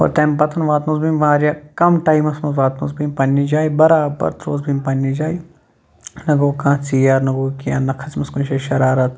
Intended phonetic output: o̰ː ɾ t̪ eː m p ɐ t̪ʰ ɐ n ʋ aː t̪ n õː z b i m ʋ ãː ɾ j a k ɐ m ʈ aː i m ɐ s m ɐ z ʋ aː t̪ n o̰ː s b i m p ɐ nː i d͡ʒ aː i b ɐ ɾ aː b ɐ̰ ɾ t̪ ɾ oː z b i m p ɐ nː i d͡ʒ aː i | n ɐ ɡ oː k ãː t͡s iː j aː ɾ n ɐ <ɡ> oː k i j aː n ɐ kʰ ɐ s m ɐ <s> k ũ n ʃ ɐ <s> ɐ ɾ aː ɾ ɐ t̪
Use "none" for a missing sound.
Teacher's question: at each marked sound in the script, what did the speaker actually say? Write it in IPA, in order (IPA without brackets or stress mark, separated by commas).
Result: ɡ, s, ʃ